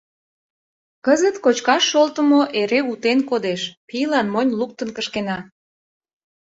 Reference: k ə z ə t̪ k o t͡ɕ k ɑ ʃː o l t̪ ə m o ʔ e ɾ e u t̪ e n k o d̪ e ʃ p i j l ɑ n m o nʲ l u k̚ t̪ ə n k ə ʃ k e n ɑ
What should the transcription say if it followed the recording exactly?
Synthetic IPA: k ə z ə t̪ k o t͡ɕ k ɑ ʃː o l t̪ ə m o ʔ e ɾ e u t̪ e n k o d̪ e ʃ p i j l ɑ n m o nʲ l u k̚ t̪ ə n k ə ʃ k e n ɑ